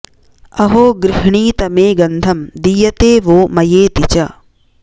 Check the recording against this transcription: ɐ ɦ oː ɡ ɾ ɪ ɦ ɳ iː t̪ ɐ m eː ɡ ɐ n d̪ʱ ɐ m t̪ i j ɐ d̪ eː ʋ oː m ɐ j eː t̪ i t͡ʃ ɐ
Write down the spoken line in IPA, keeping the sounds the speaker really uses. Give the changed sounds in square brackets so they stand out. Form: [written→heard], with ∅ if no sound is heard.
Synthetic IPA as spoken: ɐ ɦ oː ɡ ɾ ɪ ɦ ɳ iː t̪ ɐ m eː ɡ ɐ n d̪ʱ ɐ m [t̪→d̪] i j ɐ [d̪→t̪] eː ʋ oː m ɐ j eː t̪ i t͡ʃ ɐ